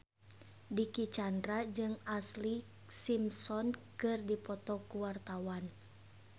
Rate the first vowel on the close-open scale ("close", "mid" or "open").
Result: close